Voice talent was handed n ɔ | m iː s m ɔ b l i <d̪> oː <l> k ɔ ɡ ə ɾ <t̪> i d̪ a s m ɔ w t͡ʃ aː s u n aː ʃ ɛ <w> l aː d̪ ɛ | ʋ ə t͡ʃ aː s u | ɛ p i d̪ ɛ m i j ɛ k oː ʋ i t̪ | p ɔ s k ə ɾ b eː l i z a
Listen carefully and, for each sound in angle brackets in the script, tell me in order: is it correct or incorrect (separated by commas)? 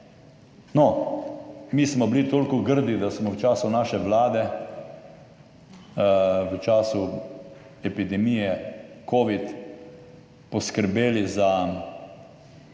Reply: incorrect, correct, incorrect, incorrect